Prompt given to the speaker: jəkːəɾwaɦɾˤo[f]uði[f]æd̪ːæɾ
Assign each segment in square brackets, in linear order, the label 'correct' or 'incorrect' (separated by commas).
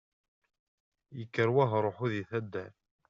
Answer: incorrect, incorrect